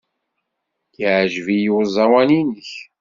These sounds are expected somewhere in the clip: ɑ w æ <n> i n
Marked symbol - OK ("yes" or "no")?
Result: yes